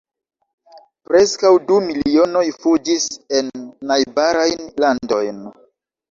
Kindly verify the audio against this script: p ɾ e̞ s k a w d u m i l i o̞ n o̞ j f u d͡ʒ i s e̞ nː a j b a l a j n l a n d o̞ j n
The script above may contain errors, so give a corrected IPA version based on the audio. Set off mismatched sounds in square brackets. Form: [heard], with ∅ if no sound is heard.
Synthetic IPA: p ɾ e̞ s k a w d u m i l i o̞ n o̞ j f u d͡ʒ i s e̞ nː a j b a [ɾ] a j n l a n d o̞ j n